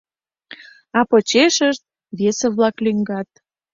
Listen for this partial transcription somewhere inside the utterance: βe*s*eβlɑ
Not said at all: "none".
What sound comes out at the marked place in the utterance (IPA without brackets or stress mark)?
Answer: s